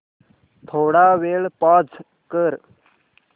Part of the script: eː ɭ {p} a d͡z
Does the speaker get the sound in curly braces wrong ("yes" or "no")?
no